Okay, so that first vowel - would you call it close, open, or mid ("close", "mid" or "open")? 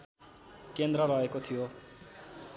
mid